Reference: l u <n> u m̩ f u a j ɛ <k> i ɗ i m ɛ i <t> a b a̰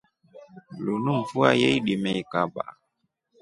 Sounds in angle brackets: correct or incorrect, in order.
correct, incorrect, incorrect

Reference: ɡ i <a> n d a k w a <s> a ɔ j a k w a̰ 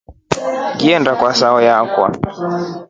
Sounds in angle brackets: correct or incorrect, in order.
incorrect, correct

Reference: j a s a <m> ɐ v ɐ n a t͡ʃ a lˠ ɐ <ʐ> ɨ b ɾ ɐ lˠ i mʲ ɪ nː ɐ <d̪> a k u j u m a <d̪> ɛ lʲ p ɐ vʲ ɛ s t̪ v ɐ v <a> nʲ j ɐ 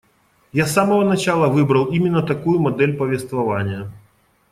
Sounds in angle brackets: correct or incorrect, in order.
correct, incorrect, incorrect, correct, correct

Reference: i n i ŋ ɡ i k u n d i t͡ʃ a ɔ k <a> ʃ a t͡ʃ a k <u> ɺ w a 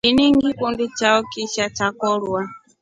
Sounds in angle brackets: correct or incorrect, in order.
incorrect, incorrect

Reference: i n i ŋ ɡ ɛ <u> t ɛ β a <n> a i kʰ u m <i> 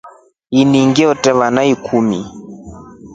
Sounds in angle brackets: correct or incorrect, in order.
incorrect, correct, correct

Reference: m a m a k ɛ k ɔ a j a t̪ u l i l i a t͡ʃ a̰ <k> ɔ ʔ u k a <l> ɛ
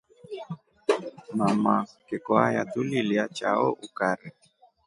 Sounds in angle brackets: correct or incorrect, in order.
incorrect, incorrect

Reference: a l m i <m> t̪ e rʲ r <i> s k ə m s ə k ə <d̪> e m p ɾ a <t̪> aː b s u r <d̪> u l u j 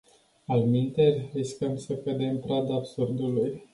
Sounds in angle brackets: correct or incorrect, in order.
incorrect, correct, correct, incorrect, correct

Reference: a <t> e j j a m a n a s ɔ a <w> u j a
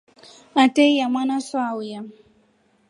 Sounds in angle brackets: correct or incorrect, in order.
correct, correct

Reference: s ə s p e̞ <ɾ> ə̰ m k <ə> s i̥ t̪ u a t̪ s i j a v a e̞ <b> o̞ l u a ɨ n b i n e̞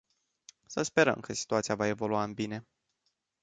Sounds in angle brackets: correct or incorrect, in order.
correct, correct, incorrect

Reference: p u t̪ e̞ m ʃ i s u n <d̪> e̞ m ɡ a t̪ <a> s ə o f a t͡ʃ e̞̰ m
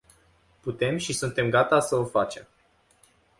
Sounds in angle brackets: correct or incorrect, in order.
incorrect, correct

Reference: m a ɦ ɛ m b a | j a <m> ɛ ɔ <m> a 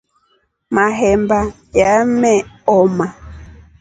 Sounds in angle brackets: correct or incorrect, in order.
correct, correct

